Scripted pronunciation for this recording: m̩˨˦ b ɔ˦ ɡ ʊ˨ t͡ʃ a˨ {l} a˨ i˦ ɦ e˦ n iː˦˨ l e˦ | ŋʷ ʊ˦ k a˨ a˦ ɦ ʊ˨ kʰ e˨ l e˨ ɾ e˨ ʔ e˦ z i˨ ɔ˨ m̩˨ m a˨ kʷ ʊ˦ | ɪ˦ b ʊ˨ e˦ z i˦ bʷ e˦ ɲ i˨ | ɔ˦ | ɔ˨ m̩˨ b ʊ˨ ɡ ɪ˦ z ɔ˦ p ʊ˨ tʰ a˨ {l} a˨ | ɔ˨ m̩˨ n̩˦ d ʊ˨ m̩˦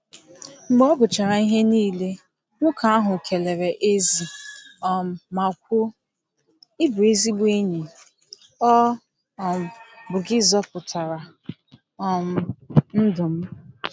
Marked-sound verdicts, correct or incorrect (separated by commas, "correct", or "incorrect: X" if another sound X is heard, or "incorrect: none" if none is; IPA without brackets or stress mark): incorrect: ɾ, incorrect: ɾ